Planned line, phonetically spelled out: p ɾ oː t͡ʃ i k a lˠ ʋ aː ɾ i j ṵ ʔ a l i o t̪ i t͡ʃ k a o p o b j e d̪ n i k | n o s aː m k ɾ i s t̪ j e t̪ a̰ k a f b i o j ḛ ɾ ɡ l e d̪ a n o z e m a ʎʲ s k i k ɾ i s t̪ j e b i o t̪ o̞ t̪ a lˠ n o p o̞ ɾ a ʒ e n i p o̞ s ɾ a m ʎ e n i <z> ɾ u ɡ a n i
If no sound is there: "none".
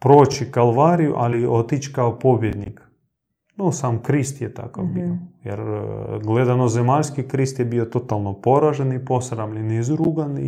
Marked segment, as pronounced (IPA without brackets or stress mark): z